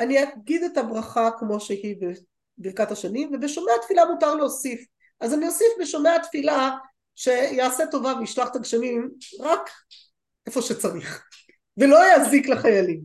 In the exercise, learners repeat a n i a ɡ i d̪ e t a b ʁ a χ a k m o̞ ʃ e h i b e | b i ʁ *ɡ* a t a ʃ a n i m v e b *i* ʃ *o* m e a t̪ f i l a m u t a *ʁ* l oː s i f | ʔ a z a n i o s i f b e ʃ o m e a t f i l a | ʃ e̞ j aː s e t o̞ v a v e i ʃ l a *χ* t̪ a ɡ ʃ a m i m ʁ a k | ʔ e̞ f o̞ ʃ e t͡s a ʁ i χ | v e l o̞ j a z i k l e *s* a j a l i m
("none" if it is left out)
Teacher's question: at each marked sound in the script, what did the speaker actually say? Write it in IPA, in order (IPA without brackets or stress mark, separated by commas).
k, e, o, ʁ, χ, χ